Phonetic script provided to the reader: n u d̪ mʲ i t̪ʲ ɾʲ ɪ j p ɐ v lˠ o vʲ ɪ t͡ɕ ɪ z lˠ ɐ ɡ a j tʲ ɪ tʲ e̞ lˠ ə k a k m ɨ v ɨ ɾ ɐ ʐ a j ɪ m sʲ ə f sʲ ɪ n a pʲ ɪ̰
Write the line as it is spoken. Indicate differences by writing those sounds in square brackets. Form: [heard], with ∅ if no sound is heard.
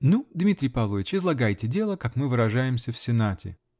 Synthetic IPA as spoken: n u d̪ mʲ i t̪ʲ ɾʲ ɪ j p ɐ v lˠ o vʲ ɪ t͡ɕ ɪ z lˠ ɐ ɡ a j tʲ ɪ [dʲ] e̞ lˠ ə k a k m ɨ v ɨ ɾ ɐ ʐ a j ɪ m sʲ ə f sʲ ɪ n a [tʲ] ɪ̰

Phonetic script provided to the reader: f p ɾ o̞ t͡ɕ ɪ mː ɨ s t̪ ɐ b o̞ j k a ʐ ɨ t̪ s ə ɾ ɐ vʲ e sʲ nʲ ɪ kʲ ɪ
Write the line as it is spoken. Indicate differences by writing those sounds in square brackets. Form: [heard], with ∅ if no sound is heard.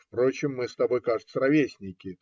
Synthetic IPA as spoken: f p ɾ o̞ t͡ɕ ɪ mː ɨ s t̪ ɐ b o̞ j k a ʐ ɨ t̪ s ə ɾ ɐ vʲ e sʲ nʲ ɪ kʲ ɪ

